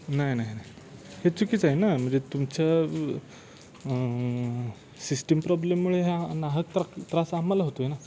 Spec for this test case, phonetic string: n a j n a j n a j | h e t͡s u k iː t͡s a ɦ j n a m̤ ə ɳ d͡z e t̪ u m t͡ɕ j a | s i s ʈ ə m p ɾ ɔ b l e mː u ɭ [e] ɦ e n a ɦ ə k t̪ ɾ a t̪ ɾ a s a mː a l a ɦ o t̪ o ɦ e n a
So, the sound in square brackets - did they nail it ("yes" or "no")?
yes